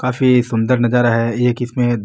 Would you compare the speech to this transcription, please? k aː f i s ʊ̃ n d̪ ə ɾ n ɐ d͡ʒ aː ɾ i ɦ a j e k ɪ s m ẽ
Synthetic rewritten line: k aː f i s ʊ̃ n d̪ ə ɾ n ɐ d͡ʒ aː ɾ a ɦ ɛ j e k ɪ s m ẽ